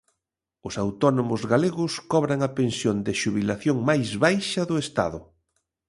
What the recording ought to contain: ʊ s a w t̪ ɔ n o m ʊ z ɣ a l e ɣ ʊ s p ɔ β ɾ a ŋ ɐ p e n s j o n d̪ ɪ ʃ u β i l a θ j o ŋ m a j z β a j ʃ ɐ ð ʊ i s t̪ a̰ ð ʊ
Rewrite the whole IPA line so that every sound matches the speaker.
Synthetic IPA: ʊ s a w t̪ ɔ n o m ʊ z ɣ a l e ɣ ʊ s k ɔ β ɾ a ŋ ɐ p e n s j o n d̪ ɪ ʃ u β i l a θ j o ŋ m a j z β a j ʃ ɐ ð ʊ e s t̪ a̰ ð ʊ

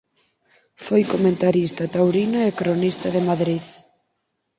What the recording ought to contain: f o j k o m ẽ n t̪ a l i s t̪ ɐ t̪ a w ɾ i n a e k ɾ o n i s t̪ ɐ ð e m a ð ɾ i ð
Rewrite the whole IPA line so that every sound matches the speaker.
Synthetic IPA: f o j k o m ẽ n t̪ a ɾ i s t̪ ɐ t̪ a w ɾ i n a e k ɾ o n i s t̪ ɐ ð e m a ð ɾ i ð

